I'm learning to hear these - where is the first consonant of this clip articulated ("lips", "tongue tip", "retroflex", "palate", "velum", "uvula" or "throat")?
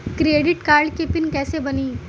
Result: velum